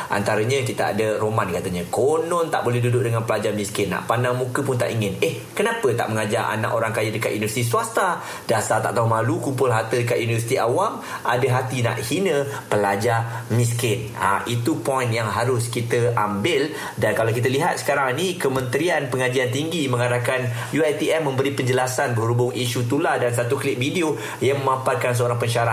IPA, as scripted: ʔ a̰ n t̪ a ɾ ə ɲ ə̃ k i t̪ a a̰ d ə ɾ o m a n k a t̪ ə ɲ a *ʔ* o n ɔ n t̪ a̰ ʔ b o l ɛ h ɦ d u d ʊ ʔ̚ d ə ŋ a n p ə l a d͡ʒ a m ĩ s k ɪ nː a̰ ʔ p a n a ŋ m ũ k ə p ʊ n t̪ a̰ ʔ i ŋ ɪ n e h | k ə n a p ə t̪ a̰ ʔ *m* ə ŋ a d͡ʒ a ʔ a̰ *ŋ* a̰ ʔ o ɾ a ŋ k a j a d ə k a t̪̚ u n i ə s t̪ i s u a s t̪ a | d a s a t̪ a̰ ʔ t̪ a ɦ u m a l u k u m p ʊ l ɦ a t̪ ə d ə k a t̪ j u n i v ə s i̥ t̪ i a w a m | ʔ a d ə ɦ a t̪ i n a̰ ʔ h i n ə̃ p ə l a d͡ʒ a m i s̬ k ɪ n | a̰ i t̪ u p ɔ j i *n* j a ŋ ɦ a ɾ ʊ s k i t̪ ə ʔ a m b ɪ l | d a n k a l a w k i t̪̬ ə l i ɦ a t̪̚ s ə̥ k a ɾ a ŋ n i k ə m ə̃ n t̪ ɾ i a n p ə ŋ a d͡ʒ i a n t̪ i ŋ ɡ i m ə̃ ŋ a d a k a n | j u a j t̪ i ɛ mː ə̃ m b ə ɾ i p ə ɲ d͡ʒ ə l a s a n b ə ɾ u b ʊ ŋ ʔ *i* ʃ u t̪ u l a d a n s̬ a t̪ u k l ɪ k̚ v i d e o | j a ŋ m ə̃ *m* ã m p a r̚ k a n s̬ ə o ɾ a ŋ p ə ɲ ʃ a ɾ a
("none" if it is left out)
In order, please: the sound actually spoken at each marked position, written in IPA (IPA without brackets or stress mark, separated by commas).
k, m, n, n, i, m